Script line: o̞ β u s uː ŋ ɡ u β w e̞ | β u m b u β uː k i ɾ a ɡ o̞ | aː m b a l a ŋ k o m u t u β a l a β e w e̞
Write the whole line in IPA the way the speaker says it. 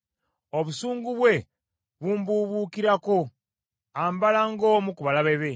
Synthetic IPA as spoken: o̞ β u s uː ŋ ɡ u β w e̞ | β u m b u β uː k i ɾ a k o̞ | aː m b a l a ŋ ɡ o m u k u β a l a β e β e̞

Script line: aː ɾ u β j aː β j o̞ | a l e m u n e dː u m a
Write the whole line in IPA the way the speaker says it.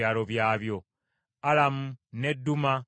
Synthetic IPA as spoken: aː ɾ o β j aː β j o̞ | a l a m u n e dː u m a

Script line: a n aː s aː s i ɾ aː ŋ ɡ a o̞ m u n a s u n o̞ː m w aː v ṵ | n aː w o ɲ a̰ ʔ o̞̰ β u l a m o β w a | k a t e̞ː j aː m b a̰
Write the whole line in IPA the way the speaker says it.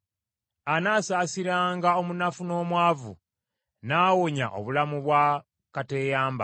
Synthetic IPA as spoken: a n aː s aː s i ɾ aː ŋ ɡ a o̞ m u n a f u n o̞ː m w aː v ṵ | n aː w o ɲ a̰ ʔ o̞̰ β u l a m u β w a | k a t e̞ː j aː m b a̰

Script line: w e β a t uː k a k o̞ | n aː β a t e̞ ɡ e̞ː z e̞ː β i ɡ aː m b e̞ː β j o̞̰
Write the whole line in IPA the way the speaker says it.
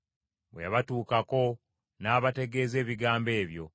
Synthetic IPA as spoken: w e β a t uː k a k o̞ | n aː β a t e̞ ɡ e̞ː z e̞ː β i ɡ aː m b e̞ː β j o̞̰

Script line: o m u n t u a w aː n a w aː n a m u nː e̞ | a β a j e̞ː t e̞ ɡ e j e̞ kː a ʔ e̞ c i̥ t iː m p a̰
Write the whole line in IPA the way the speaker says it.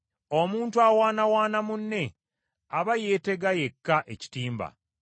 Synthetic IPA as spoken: o m uː n t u a w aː n a w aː n a m u nː e̞ | a β a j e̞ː t e̞ ɡ a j e̞ kː a ʔ e̞ c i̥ t iː m b a̰

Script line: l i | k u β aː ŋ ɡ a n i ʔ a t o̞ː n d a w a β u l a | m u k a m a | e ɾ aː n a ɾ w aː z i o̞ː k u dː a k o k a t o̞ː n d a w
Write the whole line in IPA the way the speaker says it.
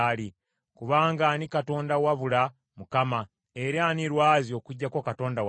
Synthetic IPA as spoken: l i | k u β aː ŋ ɡ a n i k a t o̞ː n d a w a β u l a | m u k a m a | e ɾ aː n i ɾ w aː z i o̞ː k u ɟː a k o k a t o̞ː n d a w

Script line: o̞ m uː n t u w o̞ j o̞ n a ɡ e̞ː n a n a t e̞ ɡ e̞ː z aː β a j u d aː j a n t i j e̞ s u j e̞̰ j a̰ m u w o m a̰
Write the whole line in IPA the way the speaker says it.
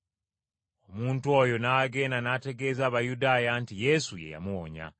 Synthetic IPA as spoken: o̞ m uː n t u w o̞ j o̞ n a ɡ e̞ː n a n a t e̞ ɡ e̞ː z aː β a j u d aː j a n t i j e̞ s u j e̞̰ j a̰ m u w o ɲ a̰

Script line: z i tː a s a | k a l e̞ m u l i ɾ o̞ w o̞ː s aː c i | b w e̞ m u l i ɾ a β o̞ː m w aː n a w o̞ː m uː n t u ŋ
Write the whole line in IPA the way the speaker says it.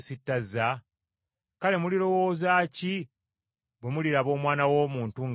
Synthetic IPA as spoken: s i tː a z a | k a l e̞ m u l i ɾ o̞ w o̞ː z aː c i | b w e̞ m u l i ɾ a β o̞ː m w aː n a w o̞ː m uː n t u ŋ

